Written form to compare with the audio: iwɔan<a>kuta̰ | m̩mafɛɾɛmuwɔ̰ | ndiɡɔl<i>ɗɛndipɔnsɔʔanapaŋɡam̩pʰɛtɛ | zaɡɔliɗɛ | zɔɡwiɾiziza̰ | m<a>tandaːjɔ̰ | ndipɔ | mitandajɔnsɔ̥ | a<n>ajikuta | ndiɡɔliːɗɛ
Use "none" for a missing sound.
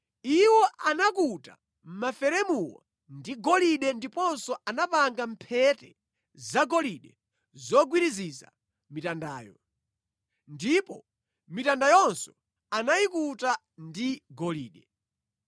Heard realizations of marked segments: a, i, i, n

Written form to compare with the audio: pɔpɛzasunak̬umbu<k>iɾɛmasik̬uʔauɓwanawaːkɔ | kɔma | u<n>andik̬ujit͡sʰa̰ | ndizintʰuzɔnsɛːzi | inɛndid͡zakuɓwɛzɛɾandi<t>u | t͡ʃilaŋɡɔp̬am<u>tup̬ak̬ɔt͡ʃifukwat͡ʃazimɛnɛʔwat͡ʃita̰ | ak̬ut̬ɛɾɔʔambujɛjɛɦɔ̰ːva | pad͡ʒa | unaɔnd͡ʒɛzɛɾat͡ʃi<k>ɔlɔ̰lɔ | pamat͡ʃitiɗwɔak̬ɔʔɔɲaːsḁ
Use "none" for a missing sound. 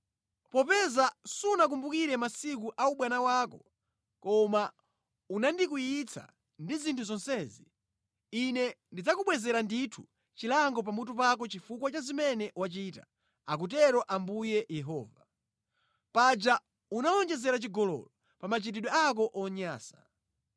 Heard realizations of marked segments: k, n, tʰ, u, ɡ

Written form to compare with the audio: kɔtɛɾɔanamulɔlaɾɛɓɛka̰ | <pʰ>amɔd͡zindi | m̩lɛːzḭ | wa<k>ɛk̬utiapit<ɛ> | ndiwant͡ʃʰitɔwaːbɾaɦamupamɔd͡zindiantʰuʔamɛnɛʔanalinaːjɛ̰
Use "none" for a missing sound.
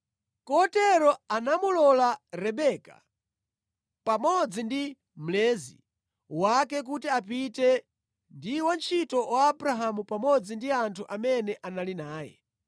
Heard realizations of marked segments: p, k, ɛ

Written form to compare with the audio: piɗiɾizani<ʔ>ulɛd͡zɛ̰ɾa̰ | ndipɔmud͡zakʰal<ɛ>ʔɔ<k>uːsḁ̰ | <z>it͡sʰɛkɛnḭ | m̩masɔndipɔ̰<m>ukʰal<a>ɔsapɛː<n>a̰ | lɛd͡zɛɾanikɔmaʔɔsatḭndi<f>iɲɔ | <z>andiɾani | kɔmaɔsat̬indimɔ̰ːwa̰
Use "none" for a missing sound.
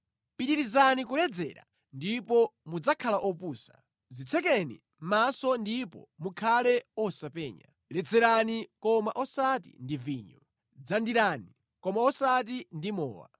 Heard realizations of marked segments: k, a, p, z, m, ɛ, ɲ, v, d͡z

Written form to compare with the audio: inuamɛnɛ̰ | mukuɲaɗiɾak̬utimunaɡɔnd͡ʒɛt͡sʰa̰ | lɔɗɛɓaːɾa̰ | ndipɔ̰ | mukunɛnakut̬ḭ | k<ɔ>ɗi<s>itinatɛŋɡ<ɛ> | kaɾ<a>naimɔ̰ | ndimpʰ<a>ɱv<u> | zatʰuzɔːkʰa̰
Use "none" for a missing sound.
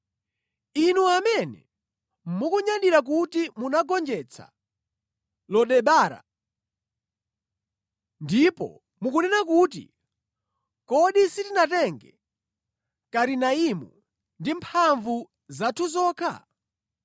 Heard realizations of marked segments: ɔ, s, ɛ, i, a, u

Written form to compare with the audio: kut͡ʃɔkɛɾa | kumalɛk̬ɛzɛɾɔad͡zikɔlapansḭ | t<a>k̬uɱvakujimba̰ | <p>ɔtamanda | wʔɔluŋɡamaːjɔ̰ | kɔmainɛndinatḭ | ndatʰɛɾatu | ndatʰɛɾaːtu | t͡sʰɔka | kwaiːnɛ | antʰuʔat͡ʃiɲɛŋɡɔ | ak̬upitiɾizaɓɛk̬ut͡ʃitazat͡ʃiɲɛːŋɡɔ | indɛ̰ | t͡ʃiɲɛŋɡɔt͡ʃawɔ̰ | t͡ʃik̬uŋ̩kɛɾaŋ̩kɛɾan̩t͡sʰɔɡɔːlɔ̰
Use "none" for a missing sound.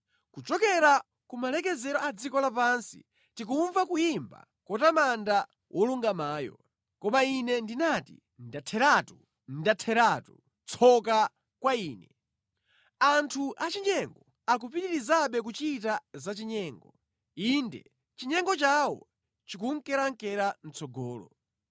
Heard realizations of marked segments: i, k

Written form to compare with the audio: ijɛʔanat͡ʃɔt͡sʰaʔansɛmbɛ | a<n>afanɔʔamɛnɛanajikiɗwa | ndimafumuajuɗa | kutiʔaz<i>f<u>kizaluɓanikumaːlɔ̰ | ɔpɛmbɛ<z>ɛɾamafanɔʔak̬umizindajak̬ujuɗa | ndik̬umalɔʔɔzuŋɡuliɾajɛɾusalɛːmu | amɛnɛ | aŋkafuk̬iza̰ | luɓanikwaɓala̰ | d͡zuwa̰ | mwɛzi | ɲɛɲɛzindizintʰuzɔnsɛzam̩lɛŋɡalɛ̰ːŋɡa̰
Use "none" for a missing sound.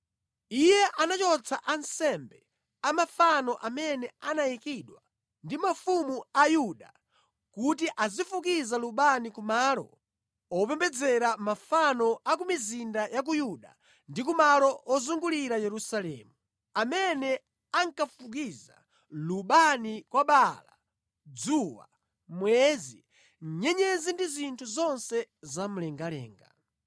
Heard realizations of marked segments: m, i, u, d͡z

